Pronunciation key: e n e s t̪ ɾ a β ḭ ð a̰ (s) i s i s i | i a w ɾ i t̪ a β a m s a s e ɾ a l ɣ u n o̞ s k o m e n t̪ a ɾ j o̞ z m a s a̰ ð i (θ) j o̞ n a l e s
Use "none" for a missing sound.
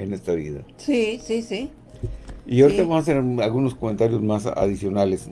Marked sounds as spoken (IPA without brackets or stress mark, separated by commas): s, s